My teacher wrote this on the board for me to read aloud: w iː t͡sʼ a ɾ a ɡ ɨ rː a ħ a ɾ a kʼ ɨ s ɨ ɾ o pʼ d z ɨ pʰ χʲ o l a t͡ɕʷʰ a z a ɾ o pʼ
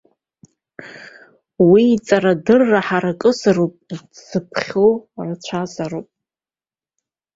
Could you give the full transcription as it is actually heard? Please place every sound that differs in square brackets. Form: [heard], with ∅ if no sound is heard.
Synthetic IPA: w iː t͡sʼ a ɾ a [d] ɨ rː a ħ a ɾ a kʼ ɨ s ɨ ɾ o pʼ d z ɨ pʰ χʲ o [r] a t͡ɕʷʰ a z a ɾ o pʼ